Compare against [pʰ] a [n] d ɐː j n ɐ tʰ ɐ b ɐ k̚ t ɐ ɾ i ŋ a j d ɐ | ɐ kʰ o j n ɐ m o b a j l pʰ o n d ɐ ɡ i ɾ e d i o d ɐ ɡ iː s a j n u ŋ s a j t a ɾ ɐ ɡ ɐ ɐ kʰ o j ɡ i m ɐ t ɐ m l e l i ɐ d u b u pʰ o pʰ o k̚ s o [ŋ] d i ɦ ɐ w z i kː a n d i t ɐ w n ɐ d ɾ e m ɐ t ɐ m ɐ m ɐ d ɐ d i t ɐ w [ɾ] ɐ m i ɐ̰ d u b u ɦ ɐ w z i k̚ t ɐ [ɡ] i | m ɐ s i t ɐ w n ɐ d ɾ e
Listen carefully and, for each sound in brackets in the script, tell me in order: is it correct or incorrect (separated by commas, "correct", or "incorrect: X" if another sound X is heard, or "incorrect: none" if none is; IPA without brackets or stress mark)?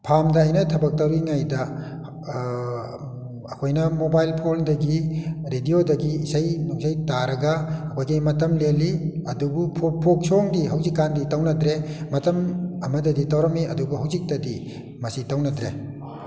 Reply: correct, incorrect: m, correct, correct, incorrect: d